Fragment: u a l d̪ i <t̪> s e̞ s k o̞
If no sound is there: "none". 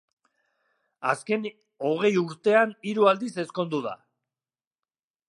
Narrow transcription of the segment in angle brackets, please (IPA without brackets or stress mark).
none